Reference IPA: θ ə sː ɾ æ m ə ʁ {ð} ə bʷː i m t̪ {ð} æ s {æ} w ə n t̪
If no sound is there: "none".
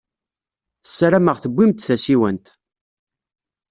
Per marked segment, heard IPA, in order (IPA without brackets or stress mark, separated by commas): θ, θ, i